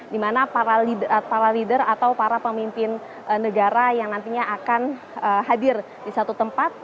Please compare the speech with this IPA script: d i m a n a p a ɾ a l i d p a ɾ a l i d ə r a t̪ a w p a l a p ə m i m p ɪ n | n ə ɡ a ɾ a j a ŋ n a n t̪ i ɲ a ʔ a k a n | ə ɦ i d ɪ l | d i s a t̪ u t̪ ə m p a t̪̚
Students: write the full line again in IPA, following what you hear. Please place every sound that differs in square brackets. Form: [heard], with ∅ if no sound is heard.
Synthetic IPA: d i m a n a p a ɾ a l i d p a ɾ a l i d ə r a t̪ a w p a [ɾ] a p ə m i m p ɪ n | n ə ɡ a ɾ a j a ŋ n a n t̪ i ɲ a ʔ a k a n | ə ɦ [a] d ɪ [r] | d i s a t̪ u t̪ ə m p a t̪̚